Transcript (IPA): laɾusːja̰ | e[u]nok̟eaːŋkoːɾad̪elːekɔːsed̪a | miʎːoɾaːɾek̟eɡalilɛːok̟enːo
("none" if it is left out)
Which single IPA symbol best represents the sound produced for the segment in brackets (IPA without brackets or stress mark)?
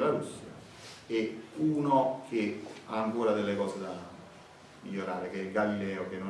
uː